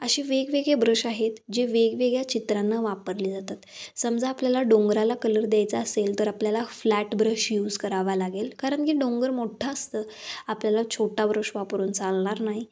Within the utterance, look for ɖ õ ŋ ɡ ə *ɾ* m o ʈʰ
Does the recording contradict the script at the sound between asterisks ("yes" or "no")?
no